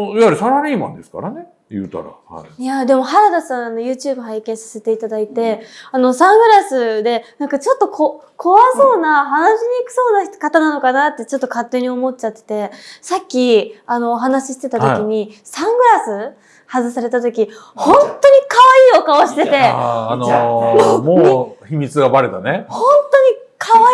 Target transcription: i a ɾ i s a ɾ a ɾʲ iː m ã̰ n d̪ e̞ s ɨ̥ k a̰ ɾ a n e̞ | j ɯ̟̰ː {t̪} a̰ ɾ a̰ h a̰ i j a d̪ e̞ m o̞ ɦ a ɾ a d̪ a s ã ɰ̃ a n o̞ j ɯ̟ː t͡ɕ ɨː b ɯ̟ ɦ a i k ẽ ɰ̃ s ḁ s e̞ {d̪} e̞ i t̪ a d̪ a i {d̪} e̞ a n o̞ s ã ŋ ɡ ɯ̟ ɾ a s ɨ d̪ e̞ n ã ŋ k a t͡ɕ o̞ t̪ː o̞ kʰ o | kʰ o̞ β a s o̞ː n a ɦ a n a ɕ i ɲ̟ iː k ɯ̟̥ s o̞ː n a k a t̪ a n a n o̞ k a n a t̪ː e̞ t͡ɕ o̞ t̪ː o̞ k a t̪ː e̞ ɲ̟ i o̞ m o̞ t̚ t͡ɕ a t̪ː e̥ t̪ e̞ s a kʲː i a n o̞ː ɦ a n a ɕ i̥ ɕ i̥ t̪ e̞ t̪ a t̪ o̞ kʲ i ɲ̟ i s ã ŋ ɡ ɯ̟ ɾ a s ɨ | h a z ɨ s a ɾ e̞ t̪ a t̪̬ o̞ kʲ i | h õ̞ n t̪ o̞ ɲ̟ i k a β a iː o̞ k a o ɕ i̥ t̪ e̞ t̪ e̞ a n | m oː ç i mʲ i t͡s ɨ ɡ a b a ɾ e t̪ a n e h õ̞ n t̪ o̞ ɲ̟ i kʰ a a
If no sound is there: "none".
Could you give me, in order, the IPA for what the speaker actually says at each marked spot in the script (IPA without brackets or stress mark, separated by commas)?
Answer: t̪, t̪, t̪